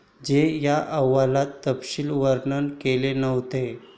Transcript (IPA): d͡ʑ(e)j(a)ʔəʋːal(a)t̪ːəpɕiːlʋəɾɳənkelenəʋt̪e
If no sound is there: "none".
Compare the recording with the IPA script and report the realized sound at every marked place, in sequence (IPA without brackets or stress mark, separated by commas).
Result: e, a, a